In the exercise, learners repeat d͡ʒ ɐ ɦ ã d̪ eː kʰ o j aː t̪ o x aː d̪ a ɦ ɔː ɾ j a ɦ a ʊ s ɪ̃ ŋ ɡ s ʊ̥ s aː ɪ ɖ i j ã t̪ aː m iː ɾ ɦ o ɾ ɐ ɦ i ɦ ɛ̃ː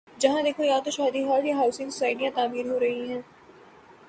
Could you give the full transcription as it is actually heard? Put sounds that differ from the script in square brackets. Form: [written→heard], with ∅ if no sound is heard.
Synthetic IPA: d͡ʒ ɐ ɦ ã d̪ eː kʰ o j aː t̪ o [x→ʃ] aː d̪ [a→i] ɦ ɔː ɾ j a ɦ a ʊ s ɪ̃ ŋ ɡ s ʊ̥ s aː ɪ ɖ i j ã t̪ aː m iː ɾ ɦ o ɾ ɐ ɦ i ɦ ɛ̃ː